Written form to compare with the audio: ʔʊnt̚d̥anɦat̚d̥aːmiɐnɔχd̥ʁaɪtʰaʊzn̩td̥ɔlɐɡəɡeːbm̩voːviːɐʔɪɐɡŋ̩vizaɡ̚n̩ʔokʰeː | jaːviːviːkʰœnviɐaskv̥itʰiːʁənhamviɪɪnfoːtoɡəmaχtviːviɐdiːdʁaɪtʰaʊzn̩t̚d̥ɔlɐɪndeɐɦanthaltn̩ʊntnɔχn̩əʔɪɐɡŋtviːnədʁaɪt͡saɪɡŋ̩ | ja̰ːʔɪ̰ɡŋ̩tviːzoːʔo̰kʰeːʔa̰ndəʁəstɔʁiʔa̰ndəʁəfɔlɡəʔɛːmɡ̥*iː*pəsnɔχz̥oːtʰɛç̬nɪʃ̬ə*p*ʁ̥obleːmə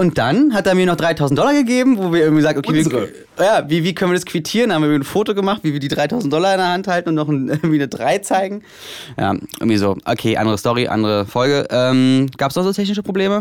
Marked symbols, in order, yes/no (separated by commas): no, yes